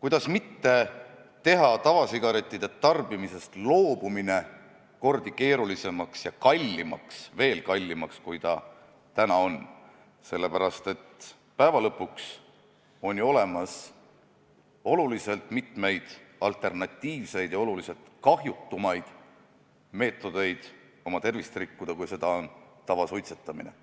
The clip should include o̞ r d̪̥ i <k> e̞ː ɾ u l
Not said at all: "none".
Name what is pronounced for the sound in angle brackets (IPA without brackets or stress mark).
k